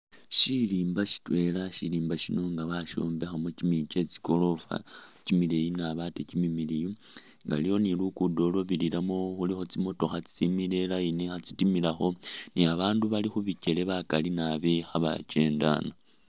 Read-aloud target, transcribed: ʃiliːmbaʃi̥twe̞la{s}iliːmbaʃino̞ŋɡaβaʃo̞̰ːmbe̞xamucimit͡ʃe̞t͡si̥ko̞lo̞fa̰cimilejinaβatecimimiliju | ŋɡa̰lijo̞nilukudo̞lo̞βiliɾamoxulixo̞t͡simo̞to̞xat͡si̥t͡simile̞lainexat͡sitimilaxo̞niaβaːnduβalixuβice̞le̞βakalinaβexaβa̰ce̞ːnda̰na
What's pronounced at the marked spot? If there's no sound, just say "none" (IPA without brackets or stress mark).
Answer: ʃ